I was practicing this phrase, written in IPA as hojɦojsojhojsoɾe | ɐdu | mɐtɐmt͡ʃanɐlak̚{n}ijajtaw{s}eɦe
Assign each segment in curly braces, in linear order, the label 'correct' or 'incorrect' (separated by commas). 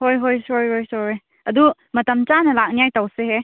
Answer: correct, correct